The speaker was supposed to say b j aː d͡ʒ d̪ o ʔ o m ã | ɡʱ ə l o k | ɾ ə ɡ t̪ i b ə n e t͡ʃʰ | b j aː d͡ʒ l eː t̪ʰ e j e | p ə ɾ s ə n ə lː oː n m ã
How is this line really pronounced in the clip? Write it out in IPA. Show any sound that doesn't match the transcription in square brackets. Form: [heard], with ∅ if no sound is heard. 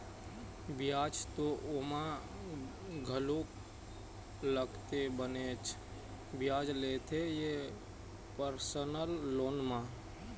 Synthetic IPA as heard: b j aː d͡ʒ [t̪] o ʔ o m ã | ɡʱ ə l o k | [l] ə ɡ t̪ [e] b ə n e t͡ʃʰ | b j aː d͡ʒ l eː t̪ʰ e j e | p ə ɾ s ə n ə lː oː n m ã

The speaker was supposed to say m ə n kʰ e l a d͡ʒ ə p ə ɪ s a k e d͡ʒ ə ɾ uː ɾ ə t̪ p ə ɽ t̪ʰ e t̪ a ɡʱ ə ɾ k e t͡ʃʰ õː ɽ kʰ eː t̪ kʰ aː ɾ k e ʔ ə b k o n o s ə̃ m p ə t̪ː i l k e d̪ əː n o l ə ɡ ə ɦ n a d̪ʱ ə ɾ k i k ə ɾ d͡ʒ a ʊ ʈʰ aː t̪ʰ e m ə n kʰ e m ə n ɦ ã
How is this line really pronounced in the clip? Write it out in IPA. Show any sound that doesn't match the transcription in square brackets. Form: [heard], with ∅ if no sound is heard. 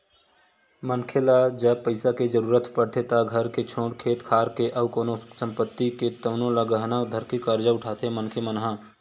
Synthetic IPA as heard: m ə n kʰ e l a d͡ʒ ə p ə ɪ s a k e d͡ʒ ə ɾ uː ɾ ə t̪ p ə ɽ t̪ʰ e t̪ a ɡʱ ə ɾ k e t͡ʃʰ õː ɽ kʰ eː t̪ kʰ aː ɾ k e ʔ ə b k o n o s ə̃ m p ə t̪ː i [∅] k e [t̪] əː n o l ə ɡ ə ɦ n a d̪ʱ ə ɾ k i k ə ɾ d͡ʒ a ʊ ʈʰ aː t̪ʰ e m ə n kʰ e m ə n ɦ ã

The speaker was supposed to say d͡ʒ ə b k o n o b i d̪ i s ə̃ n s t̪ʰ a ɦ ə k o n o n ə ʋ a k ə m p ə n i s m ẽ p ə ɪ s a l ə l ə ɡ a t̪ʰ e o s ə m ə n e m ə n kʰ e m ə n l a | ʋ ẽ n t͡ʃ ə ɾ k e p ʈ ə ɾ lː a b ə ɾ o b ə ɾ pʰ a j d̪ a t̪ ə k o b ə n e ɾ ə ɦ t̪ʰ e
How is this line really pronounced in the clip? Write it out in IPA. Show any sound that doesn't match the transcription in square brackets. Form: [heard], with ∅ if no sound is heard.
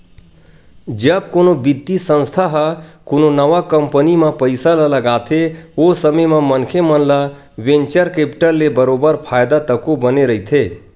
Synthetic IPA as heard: d͡ʒ ə b k o n o b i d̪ i s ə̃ n s t̪ʰ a ɦ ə k o n o n ə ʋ a k ə m p ə n i [∅] m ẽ p ə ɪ s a l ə l ə ɡ a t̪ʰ e o s ə m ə [m] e m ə n kʰ e m ə n l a | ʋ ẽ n t͡ʃ ə ɾ k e p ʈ ə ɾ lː [e] b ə ɾ o b ə ɾ pʰ a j d̪ a t̪ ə k o b ə n e ɾ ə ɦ t̪ʰ e

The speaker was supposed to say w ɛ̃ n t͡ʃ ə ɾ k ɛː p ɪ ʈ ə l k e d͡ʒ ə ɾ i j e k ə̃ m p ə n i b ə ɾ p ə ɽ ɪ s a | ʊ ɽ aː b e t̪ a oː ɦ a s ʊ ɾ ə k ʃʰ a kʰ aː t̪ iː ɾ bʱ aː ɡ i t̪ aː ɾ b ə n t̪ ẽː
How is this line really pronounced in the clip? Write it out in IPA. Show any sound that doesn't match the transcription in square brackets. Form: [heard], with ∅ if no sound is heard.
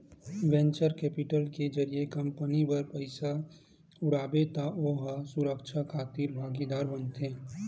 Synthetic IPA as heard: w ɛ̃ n t͡ʃ ə ɾ k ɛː p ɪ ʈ ə l k e d͡ʒ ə ɾ i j e k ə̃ m p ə n i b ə ɾ p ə [∅] ɪ s a | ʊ ɽ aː b e t̪ a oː ɦ a s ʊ ɾ ə k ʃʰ a kʰ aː t̪ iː ɾ bʱ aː ɡ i [d̪] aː ɾ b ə n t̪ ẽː

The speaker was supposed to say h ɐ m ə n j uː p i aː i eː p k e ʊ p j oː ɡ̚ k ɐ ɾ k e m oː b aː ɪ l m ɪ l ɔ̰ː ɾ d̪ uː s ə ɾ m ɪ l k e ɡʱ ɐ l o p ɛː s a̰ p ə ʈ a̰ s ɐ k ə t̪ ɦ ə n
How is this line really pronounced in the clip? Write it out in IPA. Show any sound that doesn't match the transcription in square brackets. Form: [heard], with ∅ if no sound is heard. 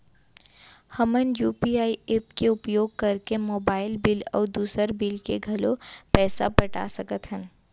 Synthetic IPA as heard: h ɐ m ə n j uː p i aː i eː p k e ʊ p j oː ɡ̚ k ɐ ɾ k e m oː b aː ɪ l [b] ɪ l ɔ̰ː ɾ d̪ uː s ə ɾ [b] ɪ l k e ɡʱ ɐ l o p ɛː s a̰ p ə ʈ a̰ s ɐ k ə t̪ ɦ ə n

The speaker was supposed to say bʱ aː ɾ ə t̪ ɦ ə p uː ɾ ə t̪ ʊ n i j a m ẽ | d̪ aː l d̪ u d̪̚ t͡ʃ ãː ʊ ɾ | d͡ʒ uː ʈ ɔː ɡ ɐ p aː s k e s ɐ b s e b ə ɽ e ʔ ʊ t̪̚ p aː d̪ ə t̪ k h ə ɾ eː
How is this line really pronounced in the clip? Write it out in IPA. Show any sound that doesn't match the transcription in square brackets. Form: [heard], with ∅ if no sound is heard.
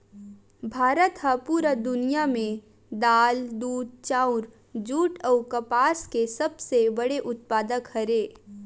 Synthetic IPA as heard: bʱ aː ɾ ə t̪ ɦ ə p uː ɾ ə [d̪] ʊ n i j a m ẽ | d̪ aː l d̪ [uː] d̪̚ t͡ʃ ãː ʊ ɾ | d͡ʒ uː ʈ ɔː [k] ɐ p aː s k e s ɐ b s e b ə ɽ e ʔ ʊ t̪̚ p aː d̪ ə [∅] k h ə ɾ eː

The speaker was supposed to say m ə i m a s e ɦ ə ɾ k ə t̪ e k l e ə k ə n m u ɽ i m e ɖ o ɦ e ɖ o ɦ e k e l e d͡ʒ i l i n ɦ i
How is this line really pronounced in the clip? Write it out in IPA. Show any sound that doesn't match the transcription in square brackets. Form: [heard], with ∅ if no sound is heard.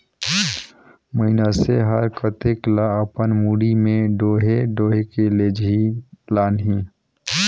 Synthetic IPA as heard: m ə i [n] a s e ɦ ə ɾ k ə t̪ e k l [a] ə [p] ə n m u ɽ i m e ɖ o ɦ e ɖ o ɦ e k e l e d͡ʒ i l [a] n ɦ i

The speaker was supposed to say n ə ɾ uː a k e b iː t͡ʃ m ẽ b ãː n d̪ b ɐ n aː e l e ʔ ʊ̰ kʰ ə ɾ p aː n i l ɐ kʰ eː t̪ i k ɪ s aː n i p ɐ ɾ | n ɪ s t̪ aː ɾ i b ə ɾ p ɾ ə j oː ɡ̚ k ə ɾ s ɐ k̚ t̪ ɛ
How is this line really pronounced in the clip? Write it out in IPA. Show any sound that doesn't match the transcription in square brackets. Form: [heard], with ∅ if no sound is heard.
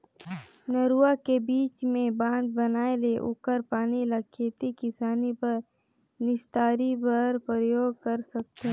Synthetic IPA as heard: n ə ɾ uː a k e b iː t͡ʃ m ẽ b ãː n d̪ b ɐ n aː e l e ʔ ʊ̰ [k] ə ɾ p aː n i l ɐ kʰ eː t̪ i k ɪ s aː n i p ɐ ɾ | n ɪ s t̪ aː ɾ i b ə ɾ p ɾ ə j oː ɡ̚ k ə ɾ s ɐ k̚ t̪ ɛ

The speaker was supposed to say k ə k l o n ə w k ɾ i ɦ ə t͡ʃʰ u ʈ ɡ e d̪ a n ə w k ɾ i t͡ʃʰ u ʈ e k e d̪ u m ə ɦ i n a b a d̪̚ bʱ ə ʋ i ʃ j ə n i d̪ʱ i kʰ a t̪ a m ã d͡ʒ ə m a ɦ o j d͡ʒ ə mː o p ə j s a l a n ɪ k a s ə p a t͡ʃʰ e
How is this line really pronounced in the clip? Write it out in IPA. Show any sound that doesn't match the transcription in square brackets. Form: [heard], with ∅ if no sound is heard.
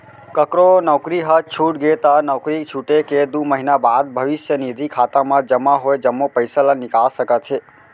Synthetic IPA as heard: k ə k [ɾ] o n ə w k ɾ i ɦ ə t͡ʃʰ u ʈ ɡ e [t̪] a n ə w k ɾ i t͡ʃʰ u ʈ e k e d̪ u m ə ɦ i n a b a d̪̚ bʱ ə ʋ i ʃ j ə n i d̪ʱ i kʰ a t̪ a m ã d͡ʒ ə m a ɦ o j d͡ʒ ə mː o p ə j s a l a n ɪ k a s ə [k] a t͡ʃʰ e

